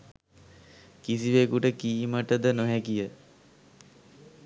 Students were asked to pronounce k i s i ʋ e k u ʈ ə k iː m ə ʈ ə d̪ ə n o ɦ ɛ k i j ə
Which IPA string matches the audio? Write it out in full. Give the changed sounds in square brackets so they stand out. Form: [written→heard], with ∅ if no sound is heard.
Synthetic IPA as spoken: k i s i ʋ e k u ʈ ə k iː m ə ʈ ə d̪ ə n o ɦ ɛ k i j ə